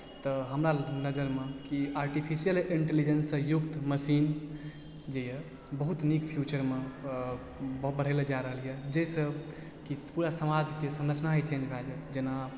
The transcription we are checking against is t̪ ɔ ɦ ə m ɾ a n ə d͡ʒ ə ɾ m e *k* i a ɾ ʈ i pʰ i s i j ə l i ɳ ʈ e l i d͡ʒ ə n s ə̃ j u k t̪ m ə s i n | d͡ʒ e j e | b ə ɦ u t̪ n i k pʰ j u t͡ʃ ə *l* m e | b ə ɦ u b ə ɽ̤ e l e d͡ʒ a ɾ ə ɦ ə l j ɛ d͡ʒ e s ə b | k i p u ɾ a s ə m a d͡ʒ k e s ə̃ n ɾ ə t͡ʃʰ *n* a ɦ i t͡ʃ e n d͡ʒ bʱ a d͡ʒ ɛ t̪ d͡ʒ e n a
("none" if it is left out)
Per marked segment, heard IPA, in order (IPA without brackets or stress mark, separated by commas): k, ɾ, n